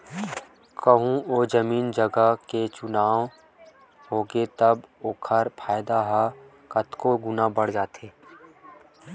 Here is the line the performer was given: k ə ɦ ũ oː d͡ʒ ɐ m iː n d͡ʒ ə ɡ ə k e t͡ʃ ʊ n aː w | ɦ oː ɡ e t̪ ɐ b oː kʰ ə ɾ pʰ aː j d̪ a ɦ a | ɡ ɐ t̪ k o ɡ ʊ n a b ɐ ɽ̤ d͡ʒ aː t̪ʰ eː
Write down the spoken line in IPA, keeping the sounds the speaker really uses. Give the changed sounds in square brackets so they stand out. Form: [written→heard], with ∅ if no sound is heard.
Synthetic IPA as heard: k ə ɦ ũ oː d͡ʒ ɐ m iː n d͡ʒ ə ɡ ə k e t͡ʃ ʊ n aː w | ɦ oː ɡ e t̪ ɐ b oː kʰ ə ɾ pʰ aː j d̪ a ɦ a | [ɡ→k] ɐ t̪ k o ɡ ʊ n a b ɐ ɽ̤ d͡ʒ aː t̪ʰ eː